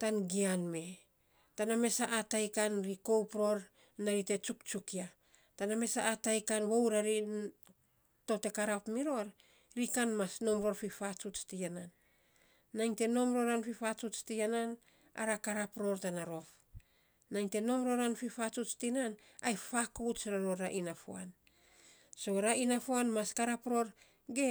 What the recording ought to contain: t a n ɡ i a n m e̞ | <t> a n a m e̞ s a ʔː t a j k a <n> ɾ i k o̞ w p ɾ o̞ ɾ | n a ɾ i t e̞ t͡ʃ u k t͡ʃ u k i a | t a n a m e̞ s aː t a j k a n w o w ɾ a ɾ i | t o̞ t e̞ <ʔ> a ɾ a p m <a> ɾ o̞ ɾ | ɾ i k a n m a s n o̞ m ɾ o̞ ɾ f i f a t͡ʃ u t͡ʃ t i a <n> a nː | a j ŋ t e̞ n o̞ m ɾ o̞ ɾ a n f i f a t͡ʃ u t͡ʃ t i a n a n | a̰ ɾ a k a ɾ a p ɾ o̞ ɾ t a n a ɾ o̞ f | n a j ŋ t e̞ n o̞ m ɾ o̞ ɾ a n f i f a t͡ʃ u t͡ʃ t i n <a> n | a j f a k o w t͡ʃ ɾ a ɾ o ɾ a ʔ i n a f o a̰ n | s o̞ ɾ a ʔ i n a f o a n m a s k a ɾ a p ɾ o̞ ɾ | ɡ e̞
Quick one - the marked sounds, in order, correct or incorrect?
correct, correct, incorrect: k, incorrect: i, correct, correct

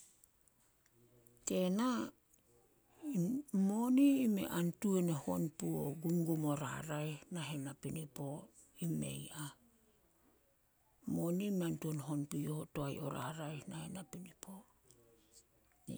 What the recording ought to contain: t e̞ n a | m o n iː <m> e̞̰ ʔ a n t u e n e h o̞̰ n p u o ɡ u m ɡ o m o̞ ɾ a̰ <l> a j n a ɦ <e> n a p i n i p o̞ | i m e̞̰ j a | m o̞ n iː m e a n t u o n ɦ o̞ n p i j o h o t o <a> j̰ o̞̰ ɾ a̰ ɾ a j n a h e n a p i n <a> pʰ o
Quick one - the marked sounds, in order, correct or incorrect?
correct, incorrect: ɾ, correct, correct, incorrect: i

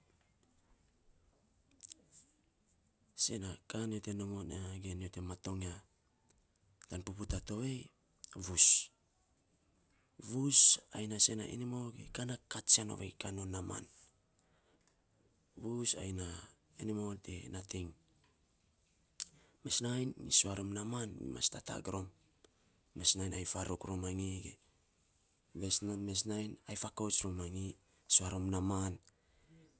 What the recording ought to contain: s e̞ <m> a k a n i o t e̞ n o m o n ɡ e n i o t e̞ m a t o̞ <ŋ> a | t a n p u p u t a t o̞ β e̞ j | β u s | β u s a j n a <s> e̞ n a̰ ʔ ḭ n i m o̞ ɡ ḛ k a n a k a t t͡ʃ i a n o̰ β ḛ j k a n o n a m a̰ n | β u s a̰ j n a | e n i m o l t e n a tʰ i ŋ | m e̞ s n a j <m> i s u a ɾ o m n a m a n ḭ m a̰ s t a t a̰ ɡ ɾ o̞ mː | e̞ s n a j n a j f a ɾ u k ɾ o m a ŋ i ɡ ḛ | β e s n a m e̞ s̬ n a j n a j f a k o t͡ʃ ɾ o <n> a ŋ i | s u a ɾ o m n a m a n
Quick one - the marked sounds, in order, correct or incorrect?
incorrect: n, correct, correct, incorrect: n, incorrect: m

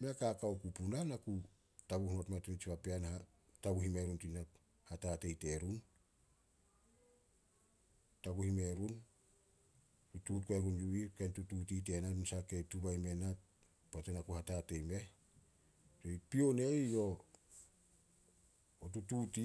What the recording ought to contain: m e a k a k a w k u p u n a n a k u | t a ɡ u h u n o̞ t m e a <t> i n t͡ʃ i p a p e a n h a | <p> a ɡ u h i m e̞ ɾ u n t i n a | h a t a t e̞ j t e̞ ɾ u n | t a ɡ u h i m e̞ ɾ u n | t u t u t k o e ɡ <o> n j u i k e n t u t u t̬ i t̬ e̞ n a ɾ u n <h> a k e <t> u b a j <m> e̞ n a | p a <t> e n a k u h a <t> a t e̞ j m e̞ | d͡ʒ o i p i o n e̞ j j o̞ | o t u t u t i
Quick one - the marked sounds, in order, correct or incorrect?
correct, incorrect: t, incorrect: u, incorrect: s, correct, correct, correct, correct

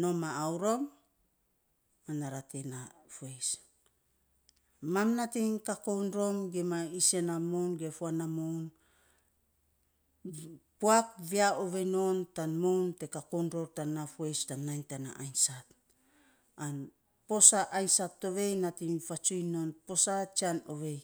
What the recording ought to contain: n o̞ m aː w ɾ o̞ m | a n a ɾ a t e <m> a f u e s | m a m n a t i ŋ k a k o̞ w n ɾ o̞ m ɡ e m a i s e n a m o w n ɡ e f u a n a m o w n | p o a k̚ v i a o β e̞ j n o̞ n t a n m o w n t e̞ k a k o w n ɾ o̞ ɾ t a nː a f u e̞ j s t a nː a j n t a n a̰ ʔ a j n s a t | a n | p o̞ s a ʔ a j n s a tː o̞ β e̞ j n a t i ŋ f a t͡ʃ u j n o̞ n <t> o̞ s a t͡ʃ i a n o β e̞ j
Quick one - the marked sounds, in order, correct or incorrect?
incorrect: n, incorrect: p

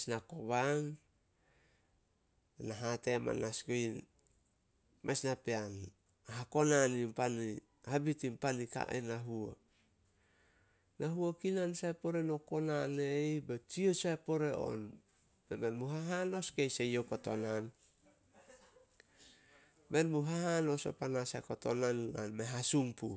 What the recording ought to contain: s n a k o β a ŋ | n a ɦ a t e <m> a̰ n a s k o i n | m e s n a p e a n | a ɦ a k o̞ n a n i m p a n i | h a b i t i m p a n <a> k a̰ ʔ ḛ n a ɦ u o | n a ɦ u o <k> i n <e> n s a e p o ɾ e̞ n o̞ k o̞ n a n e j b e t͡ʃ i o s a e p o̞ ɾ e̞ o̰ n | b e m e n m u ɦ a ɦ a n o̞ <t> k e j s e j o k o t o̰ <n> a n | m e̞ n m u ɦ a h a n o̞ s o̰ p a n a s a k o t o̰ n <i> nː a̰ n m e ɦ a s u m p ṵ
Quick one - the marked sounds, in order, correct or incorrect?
correct, incorrect: i, correct, incorrect: a, incorrect: s, correct, incorrect: a

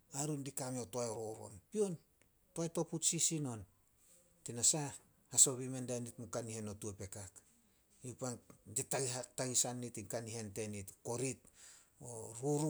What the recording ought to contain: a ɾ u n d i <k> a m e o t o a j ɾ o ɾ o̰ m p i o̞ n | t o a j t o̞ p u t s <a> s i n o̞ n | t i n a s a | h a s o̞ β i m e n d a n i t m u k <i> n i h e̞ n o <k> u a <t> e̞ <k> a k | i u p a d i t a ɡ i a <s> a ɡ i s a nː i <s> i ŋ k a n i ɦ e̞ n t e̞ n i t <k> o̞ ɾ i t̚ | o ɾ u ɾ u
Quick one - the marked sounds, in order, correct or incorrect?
correct, incorrect: i, incorrect: a, incorrect: t, incorrect: p, correct, incorrect: t, incorrect: t, correct

